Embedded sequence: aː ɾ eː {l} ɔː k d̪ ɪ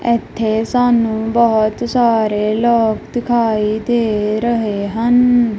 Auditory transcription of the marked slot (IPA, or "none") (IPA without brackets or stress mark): l